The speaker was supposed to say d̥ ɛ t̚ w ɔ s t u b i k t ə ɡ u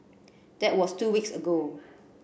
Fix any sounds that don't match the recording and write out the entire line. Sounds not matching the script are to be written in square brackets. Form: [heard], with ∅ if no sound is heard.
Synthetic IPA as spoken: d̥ ɛ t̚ w ɔ s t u [w] i k [s] ə ɡ [o]